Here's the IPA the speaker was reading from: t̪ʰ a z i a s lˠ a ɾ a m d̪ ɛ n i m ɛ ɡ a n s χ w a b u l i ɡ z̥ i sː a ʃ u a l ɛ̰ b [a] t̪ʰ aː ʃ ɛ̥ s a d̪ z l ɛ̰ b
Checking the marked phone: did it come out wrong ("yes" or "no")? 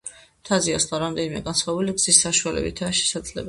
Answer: yes